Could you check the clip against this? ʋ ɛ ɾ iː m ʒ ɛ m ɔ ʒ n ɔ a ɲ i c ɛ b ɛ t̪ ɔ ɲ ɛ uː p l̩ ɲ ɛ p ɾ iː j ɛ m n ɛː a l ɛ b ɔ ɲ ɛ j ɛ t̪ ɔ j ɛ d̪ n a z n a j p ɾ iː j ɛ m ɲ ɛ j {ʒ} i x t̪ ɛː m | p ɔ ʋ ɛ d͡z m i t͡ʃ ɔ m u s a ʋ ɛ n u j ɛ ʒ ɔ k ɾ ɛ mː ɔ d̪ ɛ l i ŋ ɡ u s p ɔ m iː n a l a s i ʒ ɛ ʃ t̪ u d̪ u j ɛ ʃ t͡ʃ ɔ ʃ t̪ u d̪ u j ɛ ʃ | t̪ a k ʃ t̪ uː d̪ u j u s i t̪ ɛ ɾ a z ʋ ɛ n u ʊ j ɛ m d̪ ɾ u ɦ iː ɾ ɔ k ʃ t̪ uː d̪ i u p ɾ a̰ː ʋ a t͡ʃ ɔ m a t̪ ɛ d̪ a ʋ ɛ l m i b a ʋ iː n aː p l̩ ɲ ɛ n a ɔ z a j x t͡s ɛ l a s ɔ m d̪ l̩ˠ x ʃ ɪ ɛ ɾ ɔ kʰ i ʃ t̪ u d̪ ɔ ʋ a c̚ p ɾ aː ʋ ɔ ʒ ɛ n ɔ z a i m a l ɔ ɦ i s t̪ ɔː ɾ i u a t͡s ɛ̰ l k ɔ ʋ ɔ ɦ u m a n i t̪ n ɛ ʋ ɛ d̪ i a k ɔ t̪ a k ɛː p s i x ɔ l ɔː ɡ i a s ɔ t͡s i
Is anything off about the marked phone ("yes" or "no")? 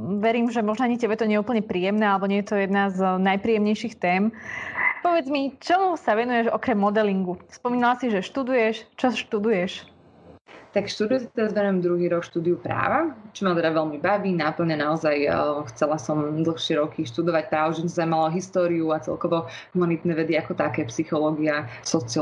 yes